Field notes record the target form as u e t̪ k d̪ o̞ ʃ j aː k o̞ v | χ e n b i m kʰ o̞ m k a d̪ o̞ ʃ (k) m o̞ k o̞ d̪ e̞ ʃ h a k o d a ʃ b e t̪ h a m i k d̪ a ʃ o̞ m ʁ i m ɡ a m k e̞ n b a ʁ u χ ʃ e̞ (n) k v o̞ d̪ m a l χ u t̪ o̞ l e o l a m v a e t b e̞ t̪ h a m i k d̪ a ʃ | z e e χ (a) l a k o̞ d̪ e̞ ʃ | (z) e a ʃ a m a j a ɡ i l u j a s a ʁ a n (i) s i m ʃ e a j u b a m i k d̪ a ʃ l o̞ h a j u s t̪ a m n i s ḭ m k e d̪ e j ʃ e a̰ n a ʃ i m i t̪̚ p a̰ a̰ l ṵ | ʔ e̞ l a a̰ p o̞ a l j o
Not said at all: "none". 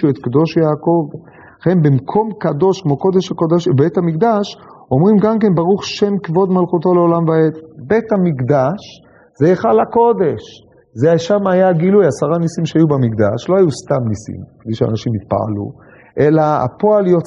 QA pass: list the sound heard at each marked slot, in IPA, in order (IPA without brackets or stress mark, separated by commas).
k, m, a, z, i